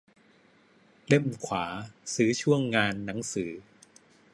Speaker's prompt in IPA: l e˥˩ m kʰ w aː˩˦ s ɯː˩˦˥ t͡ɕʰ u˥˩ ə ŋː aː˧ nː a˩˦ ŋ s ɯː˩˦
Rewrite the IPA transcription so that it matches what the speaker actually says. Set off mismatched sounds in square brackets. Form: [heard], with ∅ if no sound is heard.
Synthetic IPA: l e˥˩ m kʰ w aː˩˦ s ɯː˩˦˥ t͡ɕʰ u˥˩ ə ŋː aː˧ nː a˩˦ ŋ s ɯː˩˦